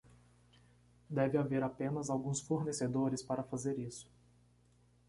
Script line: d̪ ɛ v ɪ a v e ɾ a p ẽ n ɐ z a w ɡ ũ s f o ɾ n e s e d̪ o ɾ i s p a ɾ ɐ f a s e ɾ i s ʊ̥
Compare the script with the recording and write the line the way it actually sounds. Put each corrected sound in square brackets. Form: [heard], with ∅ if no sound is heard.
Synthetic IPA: d̪ ɛ v ɪ a v e ɾ a p ẽ n ɐ z a w ɡ ũ s f o ɾ n e s e d̪ o ɾ [ɪ] s p a ɾ ɐ f a [z] e ɾ i s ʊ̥